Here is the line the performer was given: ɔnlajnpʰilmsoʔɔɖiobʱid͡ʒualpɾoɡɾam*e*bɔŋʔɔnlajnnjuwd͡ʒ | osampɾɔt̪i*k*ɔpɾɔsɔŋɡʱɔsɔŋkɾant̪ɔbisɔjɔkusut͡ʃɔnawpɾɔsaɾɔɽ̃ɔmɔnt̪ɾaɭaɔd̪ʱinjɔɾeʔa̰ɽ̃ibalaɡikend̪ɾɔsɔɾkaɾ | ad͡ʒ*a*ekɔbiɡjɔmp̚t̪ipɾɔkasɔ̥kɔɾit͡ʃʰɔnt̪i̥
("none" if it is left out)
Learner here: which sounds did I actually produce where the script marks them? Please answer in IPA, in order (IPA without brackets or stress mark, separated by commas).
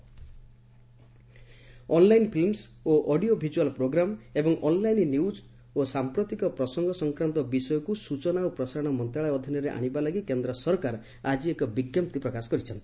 e, k, i